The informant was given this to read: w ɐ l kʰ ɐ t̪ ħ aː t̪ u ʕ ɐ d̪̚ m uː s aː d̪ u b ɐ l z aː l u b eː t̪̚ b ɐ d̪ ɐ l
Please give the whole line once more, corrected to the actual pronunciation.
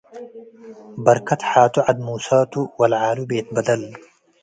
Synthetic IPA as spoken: b ɐ ɾ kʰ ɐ t̪ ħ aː t̪ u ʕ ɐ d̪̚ m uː s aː t̪ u w ɐ l ʕ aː l u b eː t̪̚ b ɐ d̪ ɐ l

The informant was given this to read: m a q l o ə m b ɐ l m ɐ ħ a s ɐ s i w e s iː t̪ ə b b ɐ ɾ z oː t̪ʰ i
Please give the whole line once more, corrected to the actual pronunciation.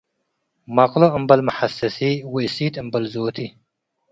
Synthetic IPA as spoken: m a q l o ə m b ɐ l m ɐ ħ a s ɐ s i w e s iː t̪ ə m b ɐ l z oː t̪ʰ i

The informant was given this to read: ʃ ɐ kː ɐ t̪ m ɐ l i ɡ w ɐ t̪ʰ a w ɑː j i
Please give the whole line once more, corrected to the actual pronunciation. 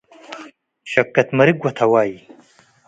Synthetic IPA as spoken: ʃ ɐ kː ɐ t̪ m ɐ ɾ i ɡ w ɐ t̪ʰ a w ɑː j i

